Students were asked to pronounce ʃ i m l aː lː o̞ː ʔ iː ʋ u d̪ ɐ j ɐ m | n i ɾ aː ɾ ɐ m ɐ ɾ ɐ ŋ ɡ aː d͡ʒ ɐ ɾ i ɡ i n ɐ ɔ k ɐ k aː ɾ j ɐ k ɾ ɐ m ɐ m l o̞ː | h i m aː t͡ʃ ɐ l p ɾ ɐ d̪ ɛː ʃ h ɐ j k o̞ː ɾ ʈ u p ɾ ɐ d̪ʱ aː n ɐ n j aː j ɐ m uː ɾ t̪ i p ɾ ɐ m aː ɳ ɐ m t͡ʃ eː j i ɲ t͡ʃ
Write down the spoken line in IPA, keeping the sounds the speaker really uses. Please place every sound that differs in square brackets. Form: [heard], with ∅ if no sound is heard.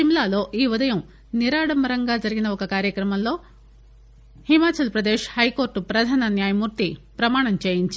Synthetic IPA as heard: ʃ i m l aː [l] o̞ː ʔ iː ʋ u d̪ ɐ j ɐ m | n i ɾ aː [ɽ] ɐ m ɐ ɾ ɐ ŋ ɡ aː d͡ʒ ɐ ɾ i ɡ i n ɐ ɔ k ɐ k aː ɾ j ɐ k ɾ ɐ m ɐ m l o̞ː | h i m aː t͡ʃ ɐ l p ɾ ɐ d̪ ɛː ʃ h ɐ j k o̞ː ɾ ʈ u p ɾ ɐ d̪ʱ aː n ɐ n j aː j ɐ m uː ɾ t̪ i p ɾ ɐ m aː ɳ ɐ m t͡ʃ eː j i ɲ t͡ʃ